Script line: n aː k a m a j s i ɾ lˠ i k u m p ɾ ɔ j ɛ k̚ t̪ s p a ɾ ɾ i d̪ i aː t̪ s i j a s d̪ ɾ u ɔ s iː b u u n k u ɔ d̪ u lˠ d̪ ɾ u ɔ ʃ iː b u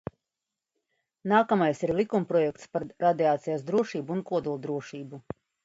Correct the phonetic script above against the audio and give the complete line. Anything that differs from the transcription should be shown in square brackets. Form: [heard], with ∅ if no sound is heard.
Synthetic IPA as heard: n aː k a m a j s i ɾ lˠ i k u m p ɾ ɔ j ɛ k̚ t̪ s p a ɾ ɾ [a] d̪ i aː t̪ s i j a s d̪ ɾ u ɔ [ʃ] iː b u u n k u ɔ d̪ u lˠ d̪ ɾ u ɔ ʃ iː b u